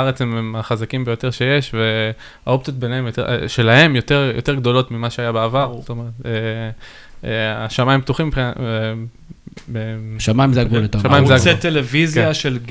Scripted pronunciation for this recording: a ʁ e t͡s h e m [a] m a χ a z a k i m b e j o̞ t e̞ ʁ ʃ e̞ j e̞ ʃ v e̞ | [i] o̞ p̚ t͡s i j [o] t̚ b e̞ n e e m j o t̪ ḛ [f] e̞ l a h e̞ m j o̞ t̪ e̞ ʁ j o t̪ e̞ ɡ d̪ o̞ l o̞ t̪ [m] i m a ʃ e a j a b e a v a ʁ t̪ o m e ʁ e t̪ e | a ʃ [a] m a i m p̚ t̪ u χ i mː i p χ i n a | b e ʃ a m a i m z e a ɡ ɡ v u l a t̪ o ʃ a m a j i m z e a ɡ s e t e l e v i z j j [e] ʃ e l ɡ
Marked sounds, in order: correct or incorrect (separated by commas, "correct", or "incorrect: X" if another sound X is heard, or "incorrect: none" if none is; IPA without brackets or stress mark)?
incorrect: e, incorrect: a, correct, incorrect: ʃ, correct, correct, incorrect: a